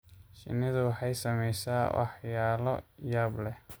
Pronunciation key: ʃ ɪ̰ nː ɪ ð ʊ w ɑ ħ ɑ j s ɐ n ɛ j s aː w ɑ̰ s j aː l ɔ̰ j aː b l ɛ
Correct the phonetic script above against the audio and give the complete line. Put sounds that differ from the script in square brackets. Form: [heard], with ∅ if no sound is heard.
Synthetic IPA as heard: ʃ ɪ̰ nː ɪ ð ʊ w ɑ ħ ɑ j s ɐ [m] ɛ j s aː w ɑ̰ [ħ] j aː l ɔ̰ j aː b l ɛ